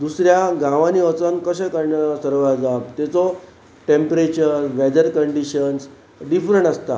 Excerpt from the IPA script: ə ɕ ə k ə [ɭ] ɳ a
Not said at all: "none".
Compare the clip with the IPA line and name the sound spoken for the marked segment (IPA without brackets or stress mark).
ɾ